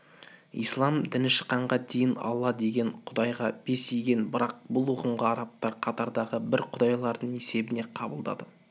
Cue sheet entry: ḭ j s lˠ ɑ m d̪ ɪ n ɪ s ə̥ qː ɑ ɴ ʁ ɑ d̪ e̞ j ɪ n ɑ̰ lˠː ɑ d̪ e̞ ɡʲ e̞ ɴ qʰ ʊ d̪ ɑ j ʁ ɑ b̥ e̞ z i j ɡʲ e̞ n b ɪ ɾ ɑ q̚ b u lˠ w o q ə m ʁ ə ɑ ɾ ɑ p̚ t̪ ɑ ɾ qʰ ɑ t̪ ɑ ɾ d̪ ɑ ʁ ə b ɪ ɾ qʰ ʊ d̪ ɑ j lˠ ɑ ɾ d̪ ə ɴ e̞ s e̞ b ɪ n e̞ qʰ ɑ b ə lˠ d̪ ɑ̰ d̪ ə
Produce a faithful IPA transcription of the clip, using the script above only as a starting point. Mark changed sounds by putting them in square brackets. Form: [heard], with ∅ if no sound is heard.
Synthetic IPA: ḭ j s lˠ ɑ m d̪ ɪ n ɪ [ʃ] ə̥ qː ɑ ɴ ʁ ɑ d̪ e̞ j ɪ n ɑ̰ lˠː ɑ d̪ e̞ ɡʲ e̞ ɴ qʰ ʊ d̪ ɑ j ʁ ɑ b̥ e̞ [s] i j ɡʲ e̞ n b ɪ ɾ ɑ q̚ b [ʊ] lˠ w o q ə m ʁ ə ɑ ɾ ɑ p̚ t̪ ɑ ɾ qʰ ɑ t̪ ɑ ɾ d̪ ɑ ʁ ə b ɪ ɾ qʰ ʊ d̪ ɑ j lˠ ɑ ɾ d̪ ə ɴ e̞ s e̞ b ɪ n e̞ qʰ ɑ b ə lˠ d̪ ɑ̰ d̪ ə